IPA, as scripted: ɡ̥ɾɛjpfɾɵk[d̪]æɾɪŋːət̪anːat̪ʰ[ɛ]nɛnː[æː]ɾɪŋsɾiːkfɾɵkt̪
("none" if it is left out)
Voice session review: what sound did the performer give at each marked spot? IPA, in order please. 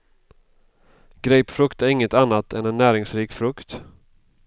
t̪, ɛ, æː

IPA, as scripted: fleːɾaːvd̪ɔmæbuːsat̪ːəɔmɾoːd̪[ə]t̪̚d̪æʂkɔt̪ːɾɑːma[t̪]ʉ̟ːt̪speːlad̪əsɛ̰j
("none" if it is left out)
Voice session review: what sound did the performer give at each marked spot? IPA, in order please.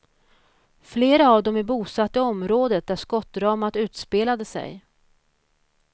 ə, t̪

